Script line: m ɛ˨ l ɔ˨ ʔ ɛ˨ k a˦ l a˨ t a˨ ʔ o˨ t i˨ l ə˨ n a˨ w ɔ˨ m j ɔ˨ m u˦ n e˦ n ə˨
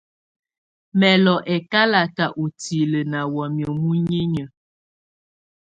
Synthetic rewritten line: m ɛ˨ l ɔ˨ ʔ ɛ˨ k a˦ l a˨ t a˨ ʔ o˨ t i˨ l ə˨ n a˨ w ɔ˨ m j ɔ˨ m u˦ ɲ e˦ ɲ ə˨